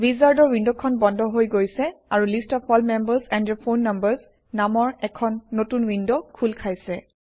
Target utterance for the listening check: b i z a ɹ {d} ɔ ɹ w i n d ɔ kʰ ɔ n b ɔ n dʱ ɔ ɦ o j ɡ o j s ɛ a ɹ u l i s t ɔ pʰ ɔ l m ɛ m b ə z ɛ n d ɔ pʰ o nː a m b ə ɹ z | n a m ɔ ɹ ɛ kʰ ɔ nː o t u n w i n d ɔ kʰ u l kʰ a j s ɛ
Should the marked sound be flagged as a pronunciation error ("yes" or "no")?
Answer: no